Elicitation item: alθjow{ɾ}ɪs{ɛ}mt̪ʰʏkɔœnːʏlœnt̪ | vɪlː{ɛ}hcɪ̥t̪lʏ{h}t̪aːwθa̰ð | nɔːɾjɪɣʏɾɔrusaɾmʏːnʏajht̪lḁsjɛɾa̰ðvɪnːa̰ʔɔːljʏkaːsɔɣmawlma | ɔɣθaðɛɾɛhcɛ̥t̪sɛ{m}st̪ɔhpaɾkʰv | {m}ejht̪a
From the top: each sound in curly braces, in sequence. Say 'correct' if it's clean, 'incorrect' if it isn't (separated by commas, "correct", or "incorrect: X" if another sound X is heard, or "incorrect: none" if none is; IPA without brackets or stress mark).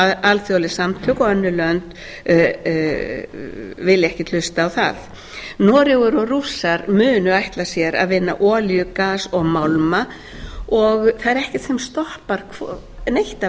incorrect: l, incorrect: a, correct, incorrect: s, correct, incorrect: n